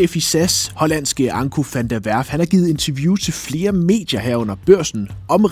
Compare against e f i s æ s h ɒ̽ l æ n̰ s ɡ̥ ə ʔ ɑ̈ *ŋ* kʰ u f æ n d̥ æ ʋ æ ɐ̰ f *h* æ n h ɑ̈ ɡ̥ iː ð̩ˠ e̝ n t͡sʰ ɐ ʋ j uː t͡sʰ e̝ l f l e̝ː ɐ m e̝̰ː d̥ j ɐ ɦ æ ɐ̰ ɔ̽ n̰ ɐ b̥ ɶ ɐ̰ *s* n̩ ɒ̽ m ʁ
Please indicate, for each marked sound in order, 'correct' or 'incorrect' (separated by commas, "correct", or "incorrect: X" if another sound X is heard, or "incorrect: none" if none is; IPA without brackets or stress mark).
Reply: correct, correct, correct